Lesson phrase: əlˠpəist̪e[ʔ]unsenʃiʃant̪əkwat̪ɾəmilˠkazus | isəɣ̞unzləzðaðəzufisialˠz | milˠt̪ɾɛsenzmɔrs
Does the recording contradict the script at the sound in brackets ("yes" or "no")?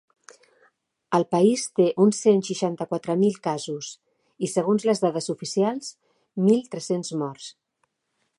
no